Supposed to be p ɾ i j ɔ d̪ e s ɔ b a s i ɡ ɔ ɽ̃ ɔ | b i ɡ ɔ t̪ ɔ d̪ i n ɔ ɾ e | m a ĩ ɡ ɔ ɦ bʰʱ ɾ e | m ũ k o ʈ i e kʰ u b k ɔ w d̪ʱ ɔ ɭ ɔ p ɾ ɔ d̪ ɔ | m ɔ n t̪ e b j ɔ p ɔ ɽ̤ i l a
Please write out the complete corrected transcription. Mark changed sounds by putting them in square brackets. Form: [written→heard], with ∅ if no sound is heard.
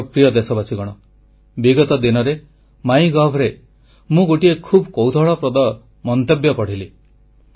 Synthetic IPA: p ɾ i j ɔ d̪ e s ɔ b a s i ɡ ɔ ɽ̃ ɔ | b i ɡ ɔ t̪ ɔ d̪ i n ɔ ɾ e | m a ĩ ɡ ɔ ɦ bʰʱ ɾ e | m ũ [k→ɡ] o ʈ i e kʰ u b k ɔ w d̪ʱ ɔ ɭ ɔ p ɾ ɔ d̪ ɔ | m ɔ n t̪ e b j ɔ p ɔ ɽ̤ i l [a→i]